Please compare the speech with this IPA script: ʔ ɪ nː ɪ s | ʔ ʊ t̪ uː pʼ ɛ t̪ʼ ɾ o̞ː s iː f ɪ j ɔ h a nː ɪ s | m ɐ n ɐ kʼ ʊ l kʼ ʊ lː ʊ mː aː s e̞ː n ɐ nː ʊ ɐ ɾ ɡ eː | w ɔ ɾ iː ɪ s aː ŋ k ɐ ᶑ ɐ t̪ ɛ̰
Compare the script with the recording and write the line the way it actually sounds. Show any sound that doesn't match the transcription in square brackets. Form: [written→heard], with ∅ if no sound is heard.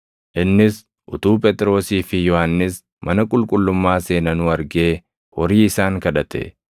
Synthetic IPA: ʔ ɪ nː ɪ s | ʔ ʊ t̪ uː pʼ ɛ t̪ʼ ɾ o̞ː s iː f ɪ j ɔ h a nː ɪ s | m ɐ n ɐ kʼ ʊ l kʼ ʊ lː ʊ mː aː s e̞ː n ɐ [nː→n] ʊ ɐ ɾ ɡ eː | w ɔ ɾ iː ɪ s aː ŋ k ɐ ᶑ ɐ t̪ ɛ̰